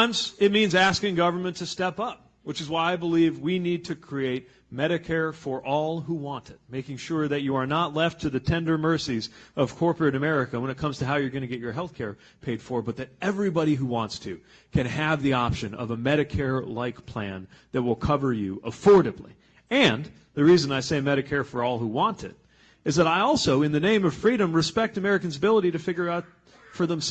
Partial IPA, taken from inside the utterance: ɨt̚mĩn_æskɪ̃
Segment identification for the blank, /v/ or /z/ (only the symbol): z